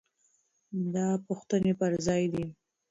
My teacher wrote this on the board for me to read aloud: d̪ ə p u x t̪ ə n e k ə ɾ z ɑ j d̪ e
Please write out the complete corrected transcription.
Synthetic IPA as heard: d̪ ɑ p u x t̪ ə n e p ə ɾ z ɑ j d̪ i